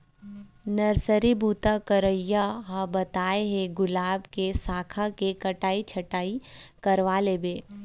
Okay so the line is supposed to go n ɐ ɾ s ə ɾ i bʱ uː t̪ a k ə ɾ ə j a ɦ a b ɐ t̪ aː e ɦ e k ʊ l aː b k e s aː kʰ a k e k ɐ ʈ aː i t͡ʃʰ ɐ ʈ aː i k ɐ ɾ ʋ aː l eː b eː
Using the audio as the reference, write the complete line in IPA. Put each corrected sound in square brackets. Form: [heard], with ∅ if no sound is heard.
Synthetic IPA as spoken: n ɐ ɾ s ə ɾ i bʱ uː t̪ a k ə ɾ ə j a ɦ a b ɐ t̪ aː e ɦ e [ɡ] ʊ l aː b k e s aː kʰ a k e k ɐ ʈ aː i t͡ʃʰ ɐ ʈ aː i k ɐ ɾ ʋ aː l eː b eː